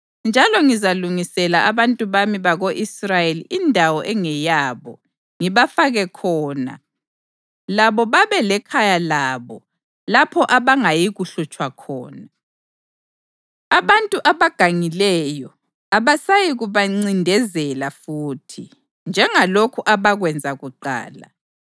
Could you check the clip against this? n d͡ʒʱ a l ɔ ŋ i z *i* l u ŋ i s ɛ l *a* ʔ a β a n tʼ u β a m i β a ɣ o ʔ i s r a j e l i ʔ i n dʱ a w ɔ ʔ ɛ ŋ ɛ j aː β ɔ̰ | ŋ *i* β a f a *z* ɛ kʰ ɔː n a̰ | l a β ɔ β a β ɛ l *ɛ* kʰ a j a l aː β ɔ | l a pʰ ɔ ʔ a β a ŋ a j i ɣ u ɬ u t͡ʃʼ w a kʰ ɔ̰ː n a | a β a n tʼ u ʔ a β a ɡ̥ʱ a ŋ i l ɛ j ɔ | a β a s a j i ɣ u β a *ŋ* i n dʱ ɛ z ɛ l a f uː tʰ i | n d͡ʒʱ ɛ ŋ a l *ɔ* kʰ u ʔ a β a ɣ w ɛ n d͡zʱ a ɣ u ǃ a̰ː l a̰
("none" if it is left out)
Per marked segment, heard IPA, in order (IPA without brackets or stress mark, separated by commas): a, a, i, ɣ, ɛ, ŋ͡ǀ, o